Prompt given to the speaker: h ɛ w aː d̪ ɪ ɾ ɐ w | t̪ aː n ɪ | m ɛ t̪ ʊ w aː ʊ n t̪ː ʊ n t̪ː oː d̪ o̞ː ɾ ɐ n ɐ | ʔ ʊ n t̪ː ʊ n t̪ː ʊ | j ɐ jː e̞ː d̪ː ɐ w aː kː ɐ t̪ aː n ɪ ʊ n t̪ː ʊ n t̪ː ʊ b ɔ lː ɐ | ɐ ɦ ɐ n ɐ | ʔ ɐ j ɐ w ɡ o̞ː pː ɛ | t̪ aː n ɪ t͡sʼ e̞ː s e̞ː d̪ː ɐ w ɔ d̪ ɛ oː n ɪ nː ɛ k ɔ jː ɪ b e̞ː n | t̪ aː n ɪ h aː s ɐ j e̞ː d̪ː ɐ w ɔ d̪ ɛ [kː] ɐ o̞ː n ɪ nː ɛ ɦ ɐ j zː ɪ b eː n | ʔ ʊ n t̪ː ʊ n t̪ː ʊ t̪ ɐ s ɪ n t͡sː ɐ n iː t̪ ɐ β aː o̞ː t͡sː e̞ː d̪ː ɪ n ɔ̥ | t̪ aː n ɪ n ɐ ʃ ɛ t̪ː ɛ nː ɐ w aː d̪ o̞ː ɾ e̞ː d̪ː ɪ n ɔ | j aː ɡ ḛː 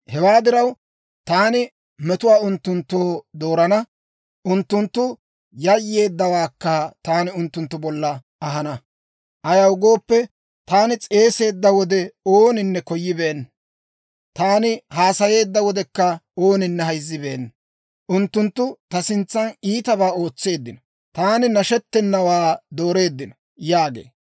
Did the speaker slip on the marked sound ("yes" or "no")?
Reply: no